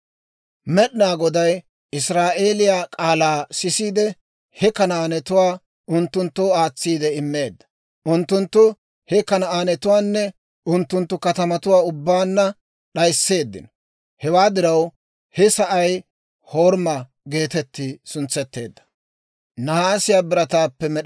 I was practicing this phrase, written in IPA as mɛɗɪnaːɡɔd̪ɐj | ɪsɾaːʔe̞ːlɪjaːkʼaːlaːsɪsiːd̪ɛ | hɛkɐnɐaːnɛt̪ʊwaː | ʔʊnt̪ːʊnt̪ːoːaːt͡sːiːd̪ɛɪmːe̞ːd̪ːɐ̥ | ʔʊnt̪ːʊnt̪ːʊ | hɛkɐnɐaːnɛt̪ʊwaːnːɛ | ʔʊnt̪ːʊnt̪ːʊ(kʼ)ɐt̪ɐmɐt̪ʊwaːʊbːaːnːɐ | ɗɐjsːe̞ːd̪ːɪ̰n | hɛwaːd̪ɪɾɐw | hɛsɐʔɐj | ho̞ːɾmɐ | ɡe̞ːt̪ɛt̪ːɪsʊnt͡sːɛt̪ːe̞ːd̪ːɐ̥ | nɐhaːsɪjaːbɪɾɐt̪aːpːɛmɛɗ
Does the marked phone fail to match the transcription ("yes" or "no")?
yes